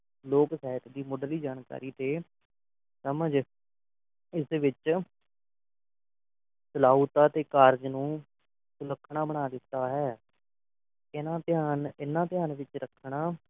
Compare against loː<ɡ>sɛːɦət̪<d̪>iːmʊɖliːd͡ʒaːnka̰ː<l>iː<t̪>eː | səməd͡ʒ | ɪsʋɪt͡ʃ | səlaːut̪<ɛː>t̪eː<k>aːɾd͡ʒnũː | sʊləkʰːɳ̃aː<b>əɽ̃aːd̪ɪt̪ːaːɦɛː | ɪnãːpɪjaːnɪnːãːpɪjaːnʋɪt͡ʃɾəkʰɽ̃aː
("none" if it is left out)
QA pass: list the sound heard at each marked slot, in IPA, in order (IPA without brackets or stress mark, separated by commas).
k, d̪, ɾ, t̪, aː, k, b